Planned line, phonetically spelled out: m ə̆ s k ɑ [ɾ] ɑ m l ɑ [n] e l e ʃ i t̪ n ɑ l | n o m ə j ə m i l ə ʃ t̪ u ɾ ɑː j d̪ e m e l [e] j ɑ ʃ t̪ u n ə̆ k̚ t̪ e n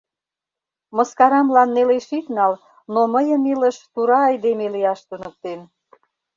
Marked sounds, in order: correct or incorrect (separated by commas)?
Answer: correct, incorrect, incorrect